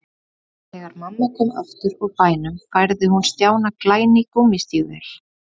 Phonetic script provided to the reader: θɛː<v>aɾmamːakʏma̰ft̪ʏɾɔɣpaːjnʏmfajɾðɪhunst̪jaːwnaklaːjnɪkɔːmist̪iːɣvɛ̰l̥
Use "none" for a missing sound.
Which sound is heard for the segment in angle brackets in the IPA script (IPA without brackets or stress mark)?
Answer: ɣ